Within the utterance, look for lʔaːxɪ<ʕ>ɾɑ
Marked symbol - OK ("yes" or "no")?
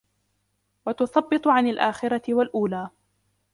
no